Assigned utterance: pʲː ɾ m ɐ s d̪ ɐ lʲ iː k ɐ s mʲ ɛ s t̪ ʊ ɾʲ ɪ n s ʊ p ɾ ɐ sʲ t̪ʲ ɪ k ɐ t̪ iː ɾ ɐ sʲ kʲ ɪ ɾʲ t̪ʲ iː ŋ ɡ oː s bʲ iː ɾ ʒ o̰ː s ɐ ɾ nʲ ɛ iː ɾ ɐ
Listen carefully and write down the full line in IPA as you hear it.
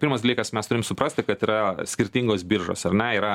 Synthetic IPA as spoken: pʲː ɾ m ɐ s d̪ ɐ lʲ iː k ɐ s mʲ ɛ s t̪ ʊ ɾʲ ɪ m s ʊ p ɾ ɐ sʲ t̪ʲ ɪ k ɐ t̪ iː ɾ ɐ sʲ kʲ ɪ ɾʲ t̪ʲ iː ŋ ɡ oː s bʲ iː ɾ ʒ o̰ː s ɐ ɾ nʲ ɛ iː ɾ ɐ